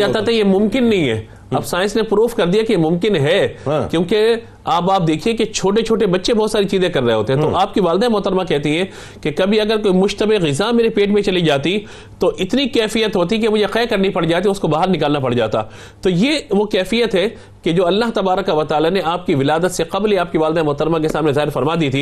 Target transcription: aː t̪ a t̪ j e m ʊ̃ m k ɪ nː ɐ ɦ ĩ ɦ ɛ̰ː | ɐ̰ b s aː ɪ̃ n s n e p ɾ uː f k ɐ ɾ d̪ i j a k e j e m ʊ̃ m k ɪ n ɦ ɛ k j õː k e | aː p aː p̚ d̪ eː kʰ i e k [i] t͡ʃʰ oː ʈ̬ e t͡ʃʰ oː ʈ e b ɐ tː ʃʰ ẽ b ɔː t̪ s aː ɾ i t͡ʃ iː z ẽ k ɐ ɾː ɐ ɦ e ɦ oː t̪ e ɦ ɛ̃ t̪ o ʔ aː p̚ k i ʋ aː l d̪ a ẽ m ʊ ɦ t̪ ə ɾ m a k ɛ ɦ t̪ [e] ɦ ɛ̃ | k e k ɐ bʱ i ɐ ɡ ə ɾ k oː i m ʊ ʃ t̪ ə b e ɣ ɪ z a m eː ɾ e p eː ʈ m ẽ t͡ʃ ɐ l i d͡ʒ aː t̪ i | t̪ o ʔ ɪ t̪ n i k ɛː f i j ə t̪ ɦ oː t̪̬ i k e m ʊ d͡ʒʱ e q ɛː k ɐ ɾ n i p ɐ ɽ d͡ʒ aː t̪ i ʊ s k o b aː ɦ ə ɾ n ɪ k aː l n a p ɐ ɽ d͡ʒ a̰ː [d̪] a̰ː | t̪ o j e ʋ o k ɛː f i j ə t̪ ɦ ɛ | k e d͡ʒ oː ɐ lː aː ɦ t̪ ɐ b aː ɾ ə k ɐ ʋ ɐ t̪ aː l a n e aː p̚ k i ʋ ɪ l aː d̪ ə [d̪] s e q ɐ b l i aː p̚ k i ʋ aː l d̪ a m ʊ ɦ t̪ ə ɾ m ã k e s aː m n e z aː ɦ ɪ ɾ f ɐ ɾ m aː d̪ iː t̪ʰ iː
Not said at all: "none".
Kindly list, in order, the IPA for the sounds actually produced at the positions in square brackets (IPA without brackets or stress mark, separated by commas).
e, i, t̪, t̪